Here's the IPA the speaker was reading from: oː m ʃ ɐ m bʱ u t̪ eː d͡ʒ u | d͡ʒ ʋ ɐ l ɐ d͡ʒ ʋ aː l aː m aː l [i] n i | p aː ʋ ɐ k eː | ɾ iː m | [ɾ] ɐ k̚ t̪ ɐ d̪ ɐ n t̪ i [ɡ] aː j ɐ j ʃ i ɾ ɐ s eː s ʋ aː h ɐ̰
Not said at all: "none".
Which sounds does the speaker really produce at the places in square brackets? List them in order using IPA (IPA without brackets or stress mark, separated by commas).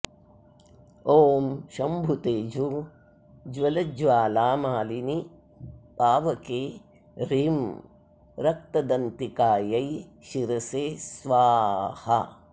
i, ɾ, k